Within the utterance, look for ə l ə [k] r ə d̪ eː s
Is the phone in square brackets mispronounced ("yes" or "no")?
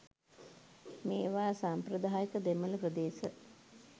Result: yes